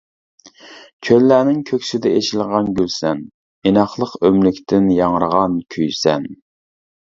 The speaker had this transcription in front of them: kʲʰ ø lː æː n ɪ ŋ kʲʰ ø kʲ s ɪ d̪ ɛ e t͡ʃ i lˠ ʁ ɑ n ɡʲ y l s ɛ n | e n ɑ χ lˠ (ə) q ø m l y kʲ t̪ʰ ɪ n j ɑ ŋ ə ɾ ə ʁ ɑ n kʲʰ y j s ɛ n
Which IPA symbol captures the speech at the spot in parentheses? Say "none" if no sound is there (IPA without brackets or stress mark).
ə